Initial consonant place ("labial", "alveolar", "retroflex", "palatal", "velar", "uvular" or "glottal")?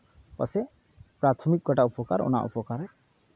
labial